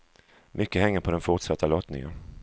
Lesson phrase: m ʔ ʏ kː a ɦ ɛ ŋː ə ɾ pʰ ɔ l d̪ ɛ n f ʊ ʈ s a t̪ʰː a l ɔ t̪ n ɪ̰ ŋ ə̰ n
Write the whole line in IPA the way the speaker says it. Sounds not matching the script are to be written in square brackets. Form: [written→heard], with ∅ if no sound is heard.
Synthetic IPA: m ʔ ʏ kː [a→ə] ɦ ɛ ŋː ə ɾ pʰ ɔ [l→∅] d̪ ɛ n f ʊ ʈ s a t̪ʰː a l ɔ t̪ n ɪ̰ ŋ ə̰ n